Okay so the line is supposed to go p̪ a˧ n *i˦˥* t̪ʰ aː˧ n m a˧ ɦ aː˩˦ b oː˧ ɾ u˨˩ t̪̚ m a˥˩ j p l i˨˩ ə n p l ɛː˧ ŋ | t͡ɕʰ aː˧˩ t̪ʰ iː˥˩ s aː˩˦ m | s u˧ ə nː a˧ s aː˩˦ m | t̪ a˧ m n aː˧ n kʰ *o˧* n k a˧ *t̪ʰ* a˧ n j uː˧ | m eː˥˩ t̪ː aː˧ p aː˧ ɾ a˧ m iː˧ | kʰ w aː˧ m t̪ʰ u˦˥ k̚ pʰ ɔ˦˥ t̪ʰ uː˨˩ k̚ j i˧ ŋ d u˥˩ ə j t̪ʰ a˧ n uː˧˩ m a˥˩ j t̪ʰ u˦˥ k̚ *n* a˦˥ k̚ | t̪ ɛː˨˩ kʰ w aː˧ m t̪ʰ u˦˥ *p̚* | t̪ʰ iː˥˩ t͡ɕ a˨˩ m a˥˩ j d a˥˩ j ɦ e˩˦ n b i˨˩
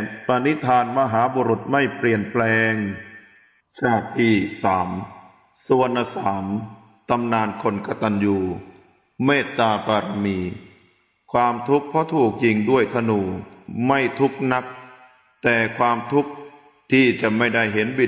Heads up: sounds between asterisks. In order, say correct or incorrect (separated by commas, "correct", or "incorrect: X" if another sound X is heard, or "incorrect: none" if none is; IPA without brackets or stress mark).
correct, correct, incorrect: t̪, correct, incorrect: k̚